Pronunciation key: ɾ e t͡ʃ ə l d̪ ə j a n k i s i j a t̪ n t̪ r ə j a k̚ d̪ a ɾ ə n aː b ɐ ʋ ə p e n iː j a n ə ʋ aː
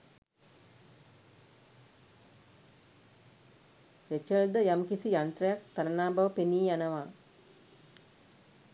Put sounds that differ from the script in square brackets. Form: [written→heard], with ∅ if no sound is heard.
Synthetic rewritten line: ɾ e t͡ʃ ə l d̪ ə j a [n→m] k i s i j a [t̪→∅] n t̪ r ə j a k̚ [d̪→t̪] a ɾ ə n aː b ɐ ʋ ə p e n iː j a n ə ʋ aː

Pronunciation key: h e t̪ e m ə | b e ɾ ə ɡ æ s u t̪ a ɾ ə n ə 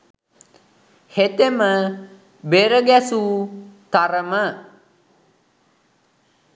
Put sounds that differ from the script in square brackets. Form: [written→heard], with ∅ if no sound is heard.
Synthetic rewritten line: h e t̪ e m ə | b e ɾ ə ɡ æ s u t̪ a ɾ ə [n→m] ə

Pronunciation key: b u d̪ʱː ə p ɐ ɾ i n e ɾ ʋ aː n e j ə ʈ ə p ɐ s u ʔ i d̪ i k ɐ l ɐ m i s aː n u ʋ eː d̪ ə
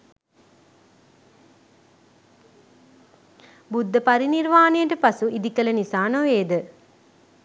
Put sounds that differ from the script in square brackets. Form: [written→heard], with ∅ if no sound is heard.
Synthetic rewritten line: b u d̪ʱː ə p ɐ ɾ i n [e→i] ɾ ʋ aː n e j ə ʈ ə p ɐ s u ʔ i d̪ i k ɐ l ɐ [m→n] i s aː n [u→o] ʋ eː d̪ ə

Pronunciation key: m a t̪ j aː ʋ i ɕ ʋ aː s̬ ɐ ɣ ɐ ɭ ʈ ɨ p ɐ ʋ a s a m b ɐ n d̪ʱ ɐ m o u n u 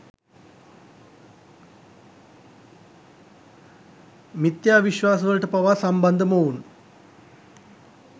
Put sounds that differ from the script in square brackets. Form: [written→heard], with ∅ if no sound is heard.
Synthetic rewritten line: m [a→i] t̪ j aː ʋ i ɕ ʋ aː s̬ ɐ ɣ ɐ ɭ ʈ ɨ p ɐ ʋ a s [a→ɐ] m b ɐ n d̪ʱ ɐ m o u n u

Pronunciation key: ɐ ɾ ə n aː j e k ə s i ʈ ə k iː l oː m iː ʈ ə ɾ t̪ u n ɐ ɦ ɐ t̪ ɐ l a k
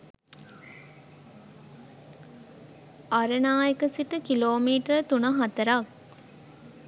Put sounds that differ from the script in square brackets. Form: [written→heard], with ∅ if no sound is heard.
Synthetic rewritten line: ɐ ɾ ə n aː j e k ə s i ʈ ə k [iː→i] l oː m iː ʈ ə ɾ t̪ u n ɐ ɦ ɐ t̪ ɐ [l→ɾ] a k

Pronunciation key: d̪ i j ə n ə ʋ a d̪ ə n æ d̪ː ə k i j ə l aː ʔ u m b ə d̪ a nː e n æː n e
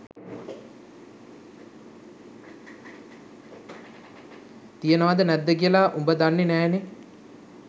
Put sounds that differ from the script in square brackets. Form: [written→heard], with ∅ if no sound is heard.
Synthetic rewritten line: [d̪→t̪] i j ə n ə ʋ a d̪ ə n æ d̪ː ə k i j ə l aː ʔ u m b ə d̪ a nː e n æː n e

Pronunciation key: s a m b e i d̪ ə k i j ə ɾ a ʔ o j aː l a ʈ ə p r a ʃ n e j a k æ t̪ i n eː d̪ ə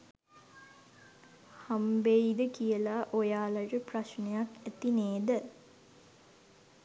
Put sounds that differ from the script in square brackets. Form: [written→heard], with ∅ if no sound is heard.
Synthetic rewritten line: [s→h] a m b e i d̪ ə k i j ə [ɾ→l] a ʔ o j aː l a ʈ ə p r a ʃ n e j a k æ t̪ i n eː d̪ ə

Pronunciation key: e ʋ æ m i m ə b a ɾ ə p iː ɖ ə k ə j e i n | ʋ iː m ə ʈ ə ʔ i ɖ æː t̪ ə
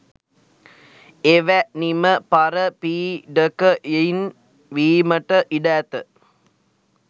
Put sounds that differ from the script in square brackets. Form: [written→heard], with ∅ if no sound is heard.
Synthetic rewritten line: e ʋ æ [m→n] i m ə [b→p] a ɾ ə p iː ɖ ə k ə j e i n | ʋ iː m ə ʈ ə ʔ i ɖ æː t̪ ə

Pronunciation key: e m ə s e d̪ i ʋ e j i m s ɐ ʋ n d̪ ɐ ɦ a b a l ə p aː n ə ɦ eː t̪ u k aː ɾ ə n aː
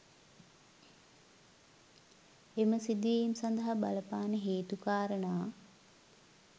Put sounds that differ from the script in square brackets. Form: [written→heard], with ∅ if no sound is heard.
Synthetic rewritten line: e m ə s [e→i] d̪ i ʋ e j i m s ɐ [ʋ→∅] n d̪ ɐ ɦ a b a l ə p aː n ə ɦ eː t̪ u k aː ɾ ə n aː

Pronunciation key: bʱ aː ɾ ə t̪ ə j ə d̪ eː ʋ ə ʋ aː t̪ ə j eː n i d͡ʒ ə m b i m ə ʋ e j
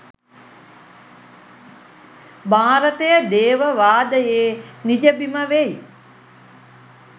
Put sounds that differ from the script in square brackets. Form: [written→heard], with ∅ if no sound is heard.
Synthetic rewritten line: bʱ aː ɾ ə t̪ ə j ə d̪ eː ʋ ə ʋ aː [t̪→d̪] ə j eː n i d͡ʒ ə [m→∅] b i m ə ʋ e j

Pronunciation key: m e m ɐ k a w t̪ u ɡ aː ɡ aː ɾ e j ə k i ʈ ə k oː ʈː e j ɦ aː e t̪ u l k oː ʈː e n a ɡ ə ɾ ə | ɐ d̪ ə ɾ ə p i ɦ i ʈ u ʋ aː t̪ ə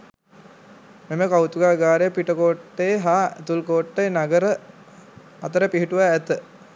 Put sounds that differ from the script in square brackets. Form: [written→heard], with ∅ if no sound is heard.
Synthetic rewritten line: m e m [ɐ→ə] k a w t̪ u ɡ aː ɡ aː ɾ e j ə [k→p] i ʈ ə k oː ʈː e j ɦ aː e t̪ u l k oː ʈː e n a ɡ ə ɾ ə | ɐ [d̪→t̪] ə ɾ ə p i ɦ i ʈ u ʋ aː t̪ ə

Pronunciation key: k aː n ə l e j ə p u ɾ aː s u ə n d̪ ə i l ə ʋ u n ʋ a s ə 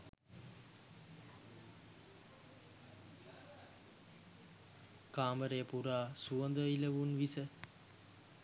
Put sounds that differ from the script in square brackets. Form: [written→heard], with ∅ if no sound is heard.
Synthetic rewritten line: k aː [n→m] ə [l→ɾ] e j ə p u ɾ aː s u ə n d̪ ə i l ə ʋ u n ʋ [a→i] s ə

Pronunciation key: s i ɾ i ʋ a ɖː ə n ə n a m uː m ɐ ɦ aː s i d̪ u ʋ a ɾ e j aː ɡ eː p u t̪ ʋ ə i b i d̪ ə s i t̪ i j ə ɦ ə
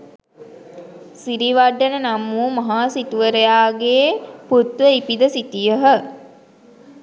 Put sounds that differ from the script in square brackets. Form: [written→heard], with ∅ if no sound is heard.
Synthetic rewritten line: s i ɾ i ʋ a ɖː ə n ə n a m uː m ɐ ɦ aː s i [d̪→t̪] u ʋ [a→ə] ɾ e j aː ɡ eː p u t̪ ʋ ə i [b→p] i d̪ ə s i t̪ i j ə ɦ ə

